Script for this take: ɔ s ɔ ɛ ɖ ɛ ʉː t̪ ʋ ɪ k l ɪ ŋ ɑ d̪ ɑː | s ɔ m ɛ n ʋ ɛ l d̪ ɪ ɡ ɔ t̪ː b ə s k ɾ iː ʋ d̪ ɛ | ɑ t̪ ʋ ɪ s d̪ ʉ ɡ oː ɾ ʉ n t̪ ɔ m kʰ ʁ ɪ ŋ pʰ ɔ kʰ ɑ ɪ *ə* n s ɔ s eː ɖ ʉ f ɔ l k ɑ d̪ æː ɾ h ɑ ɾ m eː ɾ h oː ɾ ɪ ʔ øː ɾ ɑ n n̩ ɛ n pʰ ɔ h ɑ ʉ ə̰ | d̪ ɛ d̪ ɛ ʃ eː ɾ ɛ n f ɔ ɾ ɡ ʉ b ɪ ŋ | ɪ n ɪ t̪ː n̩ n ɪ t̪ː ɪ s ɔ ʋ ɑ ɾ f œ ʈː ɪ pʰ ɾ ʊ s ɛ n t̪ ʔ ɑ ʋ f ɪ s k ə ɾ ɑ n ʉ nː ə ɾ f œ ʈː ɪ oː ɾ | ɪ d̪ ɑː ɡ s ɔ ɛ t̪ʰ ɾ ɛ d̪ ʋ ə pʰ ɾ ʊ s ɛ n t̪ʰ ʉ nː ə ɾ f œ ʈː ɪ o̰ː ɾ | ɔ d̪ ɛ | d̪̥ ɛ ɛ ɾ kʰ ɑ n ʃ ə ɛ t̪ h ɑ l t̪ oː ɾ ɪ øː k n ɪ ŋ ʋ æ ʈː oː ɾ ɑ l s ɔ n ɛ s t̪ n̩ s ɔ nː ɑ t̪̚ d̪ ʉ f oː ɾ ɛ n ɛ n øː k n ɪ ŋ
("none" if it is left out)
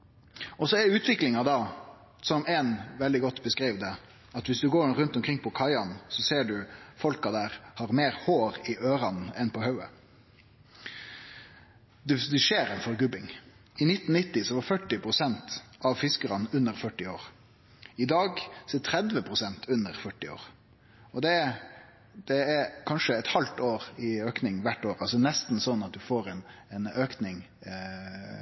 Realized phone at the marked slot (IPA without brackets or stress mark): ɑ